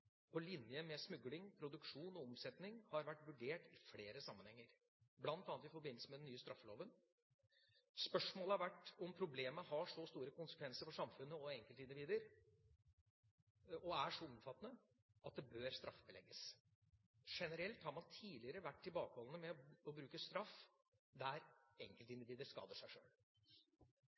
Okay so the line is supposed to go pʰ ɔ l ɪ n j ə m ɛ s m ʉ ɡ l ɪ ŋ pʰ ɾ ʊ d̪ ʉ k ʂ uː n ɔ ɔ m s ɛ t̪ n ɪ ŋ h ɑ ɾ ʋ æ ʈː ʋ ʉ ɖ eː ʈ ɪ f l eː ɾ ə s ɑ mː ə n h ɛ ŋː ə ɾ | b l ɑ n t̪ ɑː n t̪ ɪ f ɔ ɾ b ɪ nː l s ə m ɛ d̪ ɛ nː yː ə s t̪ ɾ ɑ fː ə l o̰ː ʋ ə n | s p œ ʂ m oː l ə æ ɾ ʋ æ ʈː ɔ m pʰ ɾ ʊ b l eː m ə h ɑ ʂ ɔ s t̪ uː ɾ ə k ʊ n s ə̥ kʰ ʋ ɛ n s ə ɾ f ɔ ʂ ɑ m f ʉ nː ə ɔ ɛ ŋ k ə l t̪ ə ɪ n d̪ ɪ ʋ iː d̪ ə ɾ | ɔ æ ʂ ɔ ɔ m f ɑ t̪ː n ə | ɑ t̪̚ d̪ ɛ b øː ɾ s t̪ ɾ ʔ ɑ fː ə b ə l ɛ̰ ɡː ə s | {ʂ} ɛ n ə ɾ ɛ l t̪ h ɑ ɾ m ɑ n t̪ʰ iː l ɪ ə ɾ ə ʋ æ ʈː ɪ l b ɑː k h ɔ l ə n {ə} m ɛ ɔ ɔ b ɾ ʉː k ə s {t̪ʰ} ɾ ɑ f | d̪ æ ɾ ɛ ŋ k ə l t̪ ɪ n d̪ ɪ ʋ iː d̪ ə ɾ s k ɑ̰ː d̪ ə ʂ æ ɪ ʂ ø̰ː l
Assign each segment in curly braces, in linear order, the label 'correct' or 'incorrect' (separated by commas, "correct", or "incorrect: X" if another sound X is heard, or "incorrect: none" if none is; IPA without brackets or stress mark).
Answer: correct, correct, incorrect: t̪